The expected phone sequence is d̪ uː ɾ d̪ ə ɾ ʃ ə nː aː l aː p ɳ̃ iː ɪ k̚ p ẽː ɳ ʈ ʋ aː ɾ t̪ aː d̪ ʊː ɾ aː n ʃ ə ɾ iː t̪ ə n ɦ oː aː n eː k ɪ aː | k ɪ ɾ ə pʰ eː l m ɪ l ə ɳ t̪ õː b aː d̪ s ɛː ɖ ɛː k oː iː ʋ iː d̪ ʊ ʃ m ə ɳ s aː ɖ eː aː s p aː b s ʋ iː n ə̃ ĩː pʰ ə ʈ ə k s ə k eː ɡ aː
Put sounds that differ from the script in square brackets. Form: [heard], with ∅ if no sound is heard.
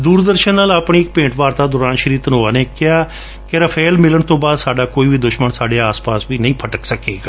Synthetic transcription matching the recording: d̪ uː ɾ d̪ ə ɾ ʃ ə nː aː l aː p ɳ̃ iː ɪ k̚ p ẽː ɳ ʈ ʋ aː ɾ t̪ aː d̪ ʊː ɾ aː n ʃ ə ɾ iː t̪ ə n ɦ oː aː n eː k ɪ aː | k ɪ ɾ ə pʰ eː l m ɪ l ə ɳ t̪ õː b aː d̪ s [aː] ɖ [aː] k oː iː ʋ iː d̪ ʊ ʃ m ə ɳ s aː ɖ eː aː s p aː [∅] s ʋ iː n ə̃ ĩː pʰ ə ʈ ə k s ə k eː ɡ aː